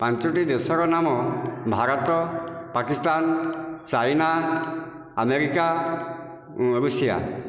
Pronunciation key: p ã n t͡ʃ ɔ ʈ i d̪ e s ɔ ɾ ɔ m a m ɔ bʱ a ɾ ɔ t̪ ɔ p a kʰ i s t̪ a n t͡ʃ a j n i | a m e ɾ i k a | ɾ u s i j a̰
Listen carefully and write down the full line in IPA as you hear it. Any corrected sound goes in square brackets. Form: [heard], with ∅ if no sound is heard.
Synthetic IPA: p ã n t͡ʃ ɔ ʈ i d̪ e s ɔ ɾ ɔ [n] a m ɔ bʱ a ɾ ɔ t̪ ɔ p a [k] i s t̪ a n t͡ʃ a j n [a] | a m e ɾ i k a | ɾ u s i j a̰